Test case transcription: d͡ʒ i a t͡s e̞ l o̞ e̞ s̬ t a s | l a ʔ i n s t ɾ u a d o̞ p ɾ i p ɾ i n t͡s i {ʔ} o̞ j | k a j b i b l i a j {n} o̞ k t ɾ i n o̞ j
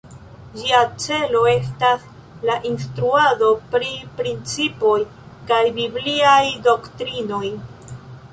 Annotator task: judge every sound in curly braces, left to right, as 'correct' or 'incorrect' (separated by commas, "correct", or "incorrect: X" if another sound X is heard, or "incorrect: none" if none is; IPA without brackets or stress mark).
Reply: incorrect: p, incorrect: d